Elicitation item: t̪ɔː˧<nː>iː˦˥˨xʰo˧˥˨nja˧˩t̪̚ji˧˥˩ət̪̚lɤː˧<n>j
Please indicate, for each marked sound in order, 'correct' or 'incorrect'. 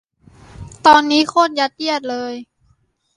correct, incorrect: none

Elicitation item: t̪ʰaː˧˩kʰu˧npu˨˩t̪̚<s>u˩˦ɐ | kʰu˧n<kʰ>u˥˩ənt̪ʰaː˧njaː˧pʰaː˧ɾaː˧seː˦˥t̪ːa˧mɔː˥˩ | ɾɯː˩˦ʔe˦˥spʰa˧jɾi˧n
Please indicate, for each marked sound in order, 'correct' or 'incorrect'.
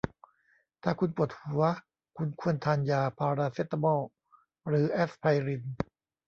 incorrect: h, correct

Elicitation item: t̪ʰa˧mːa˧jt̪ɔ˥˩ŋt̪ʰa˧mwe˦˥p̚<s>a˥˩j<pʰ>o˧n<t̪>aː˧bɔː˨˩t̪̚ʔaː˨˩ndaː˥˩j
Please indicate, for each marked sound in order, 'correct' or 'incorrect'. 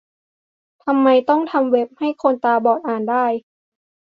incorrect: h, incorrect: kʰ, correct

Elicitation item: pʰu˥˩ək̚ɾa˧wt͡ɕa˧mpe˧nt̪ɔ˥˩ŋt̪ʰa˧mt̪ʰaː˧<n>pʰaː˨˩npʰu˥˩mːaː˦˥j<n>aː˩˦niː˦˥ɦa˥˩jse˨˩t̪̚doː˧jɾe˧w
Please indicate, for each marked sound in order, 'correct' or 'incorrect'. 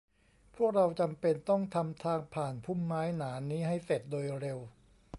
incorrect: ŋ, correct

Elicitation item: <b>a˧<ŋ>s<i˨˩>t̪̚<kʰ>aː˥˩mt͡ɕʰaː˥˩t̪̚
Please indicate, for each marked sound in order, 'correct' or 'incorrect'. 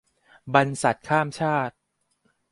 correct, incorrect: n, incorrect: a˨˩, correct

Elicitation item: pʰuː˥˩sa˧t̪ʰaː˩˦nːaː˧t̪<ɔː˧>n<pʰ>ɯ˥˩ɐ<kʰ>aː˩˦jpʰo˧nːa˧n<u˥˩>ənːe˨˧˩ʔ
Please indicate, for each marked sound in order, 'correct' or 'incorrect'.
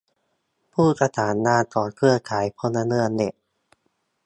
incorrect: ɔː˨˩, incorrect: kʰ, correct, incorrect: ɯ˥˩

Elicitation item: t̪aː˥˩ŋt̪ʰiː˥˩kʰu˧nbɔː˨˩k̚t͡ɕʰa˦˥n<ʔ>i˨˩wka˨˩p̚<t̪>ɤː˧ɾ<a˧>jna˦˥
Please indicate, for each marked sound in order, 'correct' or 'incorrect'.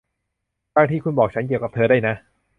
incorrect: k, incorrect: t̪ʰ, incorrect: a˥˩

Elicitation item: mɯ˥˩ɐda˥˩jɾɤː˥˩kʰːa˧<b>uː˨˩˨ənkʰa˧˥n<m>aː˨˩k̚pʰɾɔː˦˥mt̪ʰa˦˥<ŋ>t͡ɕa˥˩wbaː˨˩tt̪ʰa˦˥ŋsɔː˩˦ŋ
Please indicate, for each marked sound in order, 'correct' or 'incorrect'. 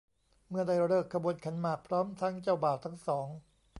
correct, correct, correct

